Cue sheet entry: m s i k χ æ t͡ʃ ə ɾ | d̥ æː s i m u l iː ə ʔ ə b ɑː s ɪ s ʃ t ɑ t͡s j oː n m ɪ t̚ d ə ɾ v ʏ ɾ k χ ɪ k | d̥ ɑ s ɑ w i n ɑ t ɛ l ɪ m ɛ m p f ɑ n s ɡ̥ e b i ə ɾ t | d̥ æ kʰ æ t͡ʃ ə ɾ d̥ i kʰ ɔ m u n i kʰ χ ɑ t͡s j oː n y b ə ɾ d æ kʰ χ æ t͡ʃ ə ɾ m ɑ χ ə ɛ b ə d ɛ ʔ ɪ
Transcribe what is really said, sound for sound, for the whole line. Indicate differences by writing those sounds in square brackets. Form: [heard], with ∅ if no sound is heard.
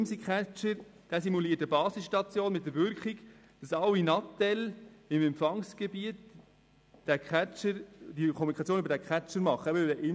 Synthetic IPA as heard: m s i k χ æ t͡ʃ ə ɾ | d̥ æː s i m u l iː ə [t] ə b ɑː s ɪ s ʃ t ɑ t͡s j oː n m ɪ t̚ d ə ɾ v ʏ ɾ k χ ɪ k | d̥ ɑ s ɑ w i n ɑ t ɛ l ɪ m ɛ m p f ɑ [ŋ] s ɡ̥ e b i ə [∅] t | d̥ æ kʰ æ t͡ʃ ə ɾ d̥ i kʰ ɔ m u n i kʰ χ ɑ t͡s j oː n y b ə ɾ d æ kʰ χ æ t͡ʃ ə ɾ m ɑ χ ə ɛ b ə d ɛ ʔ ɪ